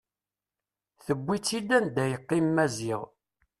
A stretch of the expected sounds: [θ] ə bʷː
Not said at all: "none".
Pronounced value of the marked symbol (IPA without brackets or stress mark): θ